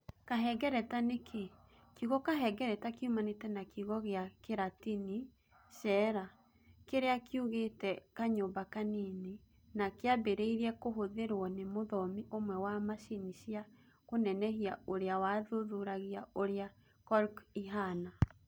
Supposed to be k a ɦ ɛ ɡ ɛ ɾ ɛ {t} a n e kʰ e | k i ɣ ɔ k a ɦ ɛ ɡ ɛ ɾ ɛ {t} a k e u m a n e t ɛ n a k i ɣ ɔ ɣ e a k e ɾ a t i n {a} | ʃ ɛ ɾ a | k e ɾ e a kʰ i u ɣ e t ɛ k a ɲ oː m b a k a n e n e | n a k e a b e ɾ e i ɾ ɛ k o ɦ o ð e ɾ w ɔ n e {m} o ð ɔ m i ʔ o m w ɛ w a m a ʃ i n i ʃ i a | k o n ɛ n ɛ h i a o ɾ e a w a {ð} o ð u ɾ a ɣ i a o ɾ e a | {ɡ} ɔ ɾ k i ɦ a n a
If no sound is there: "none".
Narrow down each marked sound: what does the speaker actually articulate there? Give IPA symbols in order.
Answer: t, t, i, m, ð, k

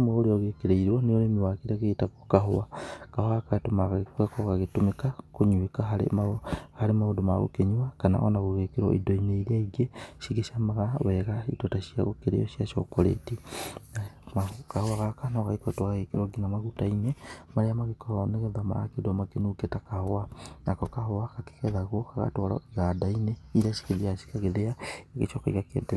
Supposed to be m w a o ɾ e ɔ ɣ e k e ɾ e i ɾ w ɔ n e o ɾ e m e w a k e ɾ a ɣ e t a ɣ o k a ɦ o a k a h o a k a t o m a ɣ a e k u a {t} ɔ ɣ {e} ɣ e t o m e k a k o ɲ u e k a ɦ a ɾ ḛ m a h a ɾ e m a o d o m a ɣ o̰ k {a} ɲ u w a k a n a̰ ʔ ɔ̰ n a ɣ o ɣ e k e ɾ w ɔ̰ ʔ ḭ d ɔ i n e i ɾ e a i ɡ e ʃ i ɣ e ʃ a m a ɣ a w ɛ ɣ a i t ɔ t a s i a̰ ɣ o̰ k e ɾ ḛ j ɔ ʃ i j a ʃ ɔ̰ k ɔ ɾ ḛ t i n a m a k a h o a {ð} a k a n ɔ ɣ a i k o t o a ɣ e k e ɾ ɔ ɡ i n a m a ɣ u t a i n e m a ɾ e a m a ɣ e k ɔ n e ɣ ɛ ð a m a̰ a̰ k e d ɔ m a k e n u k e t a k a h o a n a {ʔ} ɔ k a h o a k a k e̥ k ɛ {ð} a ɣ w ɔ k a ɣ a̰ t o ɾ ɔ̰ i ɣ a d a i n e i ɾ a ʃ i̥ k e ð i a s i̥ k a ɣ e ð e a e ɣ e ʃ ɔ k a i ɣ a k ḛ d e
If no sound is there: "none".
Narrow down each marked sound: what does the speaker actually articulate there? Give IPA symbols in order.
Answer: k, a, e, ɣ, k, ð

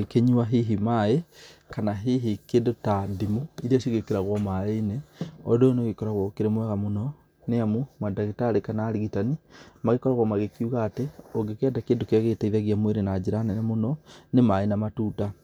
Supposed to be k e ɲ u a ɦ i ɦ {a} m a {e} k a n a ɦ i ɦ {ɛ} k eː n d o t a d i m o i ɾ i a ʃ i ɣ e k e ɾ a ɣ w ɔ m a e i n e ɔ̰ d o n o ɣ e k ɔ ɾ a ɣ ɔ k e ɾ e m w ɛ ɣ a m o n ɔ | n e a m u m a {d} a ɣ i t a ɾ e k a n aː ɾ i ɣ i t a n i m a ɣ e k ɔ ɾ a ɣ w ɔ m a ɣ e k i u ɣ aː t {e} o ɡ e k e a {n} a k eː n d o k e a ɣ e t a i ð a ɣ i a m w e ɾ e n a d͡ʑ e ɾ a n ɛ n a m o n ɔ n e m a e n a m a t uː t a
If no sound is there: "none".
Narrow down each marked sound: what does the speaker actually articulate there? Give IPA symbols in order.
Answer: i, e, i, d, e, d

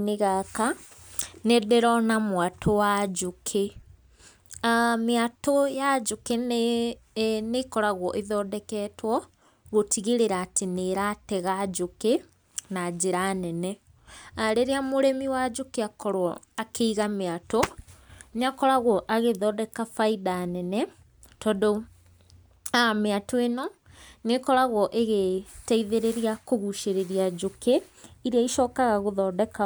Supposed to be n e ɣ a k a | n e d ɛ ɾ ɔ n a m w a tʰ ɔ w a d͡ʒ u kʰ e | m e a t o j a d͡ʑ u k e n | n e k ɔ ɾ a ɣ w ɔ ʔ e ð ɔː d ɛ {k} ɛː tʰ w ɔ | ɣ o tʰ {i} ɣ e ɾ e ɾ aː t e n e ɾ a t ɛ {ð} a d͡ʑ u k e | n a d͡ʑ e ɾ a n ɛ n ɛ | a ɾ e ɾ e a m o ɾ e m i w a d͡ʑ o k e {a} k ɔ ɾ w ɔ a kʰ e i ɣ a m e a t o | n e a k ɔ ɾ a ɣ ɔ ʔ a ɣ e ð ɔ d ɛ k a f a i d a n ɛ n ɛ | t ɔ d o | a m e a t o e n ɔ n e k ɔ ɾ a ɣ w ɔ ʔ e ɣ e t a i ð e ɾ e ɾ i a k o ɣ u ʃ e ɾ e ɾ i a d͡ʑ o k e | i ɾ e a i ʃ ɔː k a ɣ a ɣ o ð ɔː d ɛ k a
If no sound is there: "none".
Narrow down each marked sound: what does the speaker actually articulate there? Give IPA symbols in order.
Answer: k, i, ɣ, a

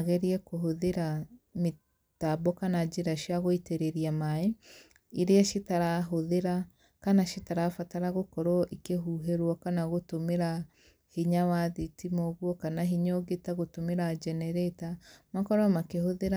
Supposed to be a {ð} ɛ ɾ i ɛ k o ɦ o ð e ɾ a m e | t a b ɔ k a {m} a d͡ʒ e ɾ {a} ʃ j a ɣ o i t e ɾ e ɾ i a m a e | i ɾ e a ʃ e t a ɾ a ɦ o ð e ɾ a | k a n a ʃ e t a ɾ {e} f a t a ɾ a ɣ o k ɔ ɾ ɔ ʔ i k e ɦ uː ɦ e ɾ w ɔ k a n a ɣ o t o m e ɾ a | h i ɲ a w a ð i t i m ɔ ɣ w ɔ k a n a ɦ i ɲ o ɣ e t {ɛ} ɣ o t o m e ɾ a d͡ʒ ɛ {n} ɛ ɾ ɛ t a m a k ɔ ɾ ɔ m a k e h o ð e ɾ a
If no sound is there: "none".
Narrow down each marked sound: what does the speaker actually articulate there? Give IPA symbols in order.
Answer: ɣ, n, a, a, a, n

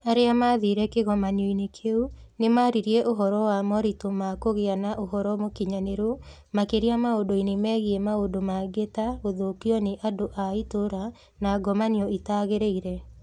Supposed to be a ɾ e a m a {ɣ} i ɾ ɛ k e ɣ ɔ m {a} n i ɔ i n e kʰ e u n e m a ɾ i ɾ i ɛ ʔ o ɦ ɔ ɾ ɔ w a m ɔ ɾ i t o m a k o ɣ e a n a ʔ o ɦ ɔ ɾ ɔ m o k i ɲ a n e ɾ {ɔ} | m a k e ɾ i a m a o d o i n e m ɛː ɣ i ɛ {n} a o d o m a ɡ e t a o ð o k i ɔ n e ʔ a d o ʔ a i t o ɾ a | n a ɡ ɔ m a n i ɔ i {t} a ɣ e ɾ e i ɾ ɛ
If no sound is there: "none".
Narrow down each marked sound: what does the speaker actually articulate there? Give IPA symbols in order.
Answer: ð, a, o, m, t

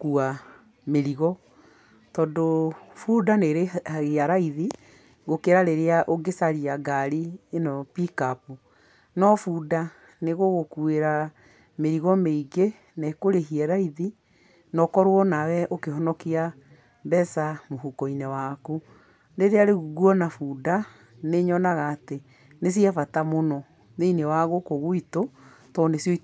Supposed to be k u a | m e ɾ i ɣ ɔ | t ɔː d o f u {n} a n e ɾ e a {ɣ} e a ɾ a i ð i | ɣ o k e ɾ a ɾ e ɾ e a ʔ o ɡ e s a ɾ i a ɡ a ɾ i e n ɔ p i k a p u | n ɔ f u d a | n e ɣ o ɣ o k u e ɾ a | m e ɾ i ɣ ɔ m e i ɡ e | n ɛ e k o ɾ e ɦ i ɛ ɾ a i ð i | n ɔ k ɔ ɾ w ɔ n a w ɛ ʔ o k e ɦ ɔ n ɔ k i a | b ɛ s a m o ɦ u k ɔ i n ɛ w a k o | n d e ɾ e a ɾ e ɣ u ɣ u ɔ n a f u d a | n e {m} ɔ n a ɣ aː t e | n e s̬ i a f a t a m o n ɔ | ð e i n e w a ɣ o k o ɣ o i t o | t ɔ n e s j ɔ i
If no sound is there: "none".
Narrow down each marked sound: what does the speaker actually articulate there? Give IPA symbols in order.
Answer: d, ɣ, ɲ

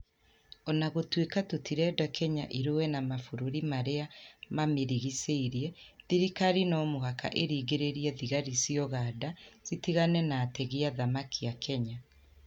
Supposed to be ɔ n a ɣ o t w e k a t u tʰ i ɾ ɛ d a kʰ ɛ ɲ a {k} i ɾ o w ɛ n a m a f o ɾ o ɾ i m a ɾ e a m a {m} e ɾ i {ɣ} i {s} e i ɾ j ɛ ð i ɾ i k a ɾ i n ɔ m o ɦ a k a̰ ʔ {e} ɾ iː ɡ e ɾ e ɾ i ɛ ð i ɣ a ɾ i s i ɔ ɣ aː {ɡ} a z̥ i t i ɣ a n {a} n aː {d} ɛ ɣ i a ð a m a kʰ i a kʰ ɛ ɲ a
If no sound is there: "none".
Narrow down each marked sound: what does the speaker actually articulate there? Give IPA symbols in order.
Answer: ʔ, m, ɣ, s, e, d, ɛ, t

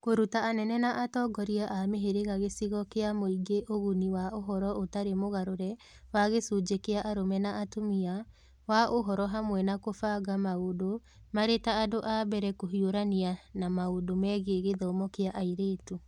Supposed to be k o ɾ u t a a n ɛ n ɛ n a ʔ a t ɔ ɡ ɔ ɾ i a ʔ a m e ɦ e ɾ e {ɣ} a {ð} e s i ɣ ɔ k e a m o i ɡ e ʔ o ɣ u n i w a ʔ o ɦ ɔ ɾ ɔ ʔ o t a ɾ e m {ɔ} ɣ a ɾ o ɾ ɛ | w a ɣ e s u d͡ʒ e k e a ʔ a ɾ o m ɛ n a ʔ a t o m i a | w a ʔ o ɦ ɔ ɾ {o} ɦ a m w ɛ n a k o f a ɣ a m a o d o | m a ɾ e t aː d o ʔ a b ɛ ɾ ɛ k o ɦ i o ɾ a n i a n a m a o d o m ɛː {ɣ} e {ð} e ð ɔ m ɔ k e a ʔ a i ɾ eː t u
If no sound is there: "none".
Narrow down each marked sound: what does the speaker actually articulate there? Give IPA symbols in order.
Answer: ɣ, ɣ, o, ɔ, ɣ, ɣ

